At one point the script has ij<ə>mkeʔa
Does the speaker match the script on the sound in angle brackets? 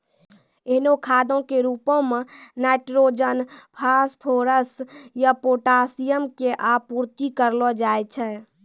yes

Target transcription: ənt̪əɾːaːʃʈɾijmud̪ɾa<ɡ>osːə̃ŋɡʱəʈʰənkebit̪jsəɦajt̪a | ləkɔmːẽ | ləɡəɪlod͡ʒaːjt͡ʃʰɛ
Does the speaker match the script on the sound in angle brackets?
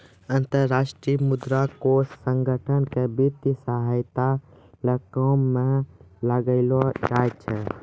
no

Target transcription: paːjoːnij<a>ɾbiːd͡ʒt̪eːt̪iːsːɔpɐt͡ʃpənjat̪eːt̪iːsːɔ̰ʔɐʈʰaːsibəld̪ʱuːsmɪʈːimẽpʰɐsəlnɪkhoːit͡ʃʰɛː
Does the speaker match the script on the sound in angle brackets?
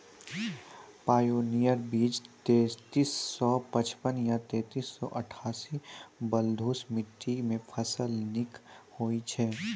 no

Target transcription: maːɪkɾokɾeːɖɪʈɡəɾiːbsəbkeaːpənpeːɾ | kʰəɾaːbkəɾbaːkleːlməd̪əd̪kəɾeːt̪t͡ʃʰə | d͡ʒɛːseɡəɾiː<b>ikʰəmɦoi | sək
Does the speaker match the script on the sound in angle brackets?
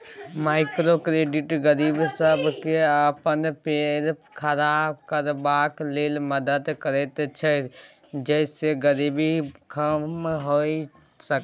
yes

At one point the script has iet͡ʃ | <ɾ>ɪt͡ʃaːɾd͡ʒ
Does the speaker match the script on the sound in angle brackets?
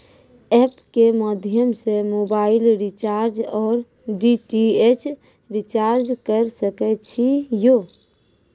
yes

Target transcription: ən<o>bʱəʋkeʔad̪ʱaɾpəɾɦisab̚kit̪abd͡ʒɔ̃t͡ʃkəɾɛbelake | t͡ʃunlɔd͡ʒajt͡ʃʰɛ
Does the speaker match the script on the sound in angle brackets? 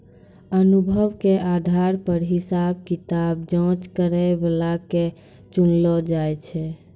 no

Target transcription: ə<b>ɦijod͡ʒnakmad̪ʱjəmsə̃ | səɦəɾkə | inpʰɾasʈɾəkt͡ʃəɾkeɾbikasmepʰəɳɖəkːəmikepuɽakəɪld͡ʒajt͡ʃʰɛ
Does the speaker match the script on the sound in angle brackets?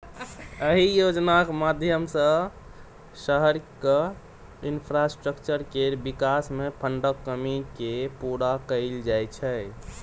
no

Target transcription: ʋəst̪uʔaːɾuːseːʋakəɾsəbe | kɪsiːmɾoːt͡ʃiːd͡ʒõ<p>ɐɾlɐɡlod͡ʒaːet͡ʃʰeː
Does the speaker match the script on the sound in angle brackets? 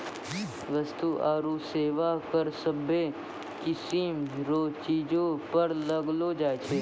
yes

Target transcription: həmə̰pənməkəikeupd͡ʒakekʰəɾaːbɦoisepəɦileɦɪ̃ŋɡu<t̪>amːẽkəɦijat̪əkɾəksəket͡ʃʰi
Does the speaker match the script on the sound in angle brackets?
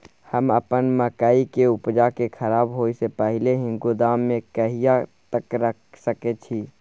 no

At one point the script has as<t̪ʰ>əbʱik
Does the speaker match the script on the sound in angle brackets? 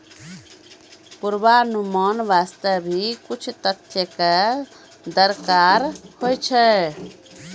no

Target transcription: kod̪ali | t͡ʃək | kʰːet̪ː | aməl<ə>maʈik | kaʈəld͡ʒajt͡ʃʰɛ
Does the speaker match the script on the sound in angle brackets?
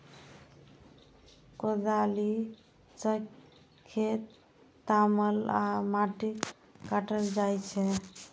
no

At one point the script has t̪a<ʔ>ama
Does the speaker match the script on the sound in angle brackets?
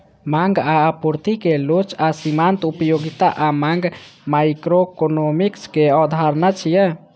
yes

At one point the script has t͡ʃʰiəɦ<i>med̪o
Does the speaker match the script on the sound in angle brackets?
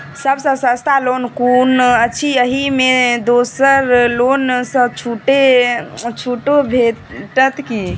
yes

